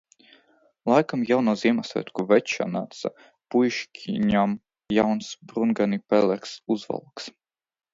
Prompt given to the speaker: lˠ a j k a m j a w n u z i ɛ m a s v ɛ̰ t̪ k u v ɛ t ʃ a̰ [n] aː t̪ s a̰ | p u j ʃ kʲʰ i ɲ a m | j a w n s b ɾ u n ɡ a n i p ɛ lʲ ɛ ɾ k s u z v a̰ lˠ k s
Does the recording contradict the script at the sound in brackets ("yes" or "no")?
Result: no